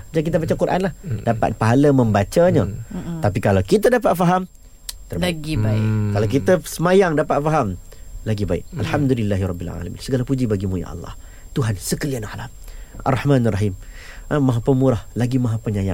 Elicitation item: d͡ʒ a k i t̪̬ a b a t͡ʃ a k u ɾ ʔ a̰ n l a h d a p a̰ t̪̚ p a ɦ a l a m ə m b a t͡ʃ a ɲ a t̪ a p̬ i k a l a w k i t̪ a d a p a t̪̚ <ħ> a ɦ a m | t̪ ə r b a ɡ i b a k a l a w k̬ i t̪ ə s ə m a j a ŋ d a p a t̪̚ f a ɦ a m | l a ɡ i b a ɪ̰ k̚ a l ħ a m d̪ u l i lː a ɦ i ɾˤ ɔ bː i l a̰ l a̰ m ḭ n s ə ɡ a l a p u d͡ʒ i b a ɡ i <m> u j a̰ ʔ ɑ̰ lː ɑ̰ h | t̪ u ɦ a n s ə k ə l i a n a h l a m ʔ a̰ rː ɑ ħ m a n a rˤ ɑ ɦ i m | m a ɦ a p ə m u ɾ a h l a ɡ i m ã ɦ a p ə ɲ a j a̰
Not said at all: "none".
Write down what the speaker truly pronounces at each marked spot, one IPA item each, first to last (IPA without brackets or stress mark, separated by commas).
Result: f, m